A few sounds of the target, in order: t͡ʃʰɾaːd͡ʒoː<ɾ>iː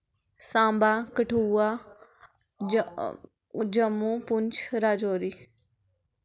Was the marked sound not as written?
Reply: no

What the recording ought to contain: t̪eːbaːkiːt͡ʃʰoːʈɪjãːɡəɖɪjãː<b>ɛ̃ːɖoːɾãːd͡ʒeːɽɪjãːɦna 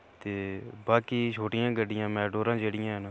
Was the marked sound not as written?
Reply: yes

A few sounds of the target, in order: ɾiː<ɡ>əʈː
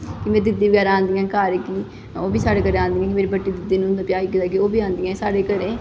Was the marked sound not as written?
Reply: yes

